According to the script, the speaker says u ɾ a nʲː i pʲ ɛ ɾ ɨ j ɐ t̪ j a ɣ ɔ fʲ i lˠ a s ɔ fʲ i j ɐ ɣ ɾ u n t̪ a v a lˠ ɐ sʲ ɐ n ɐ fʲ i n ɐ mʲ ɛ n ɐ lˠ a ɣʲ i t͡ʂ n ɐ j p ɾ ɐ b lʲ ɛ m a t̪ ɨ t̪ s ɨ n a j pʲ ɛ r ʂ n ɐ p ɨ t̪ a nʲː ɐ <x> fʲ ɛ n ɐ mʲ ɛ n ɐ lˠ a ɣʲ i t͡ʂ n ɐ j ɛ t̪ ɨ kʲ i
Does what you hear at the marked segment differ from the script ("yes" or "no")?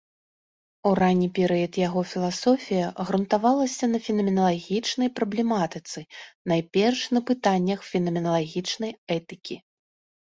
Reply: no